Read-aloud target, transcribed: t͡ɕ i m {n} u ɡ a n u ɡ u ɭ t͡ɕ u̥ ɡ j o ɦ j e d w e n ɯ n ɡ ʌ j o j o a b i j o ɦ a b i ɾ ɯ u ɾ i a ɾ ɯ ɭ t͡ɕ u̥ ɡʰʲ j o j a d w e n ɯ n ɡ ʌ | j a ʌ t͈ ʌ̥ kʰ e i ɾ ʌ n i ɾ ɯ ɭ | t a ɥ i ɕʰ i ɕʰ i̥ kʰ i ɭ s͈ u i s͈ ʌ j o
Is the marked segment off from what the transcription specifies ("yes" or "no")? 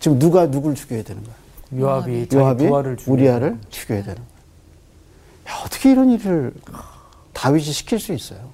no